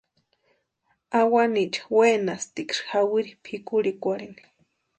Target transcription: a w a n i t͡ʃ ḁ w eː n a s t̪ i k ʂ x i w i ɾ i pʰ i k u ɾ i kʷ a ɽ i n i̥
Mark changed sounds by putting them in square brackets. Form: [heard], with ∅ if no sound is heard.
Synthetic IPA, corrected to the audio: a w a n i t͡ʃ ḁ w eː n a s t̪ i k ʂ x [a] w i ɾ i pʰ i k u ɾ i kʷ a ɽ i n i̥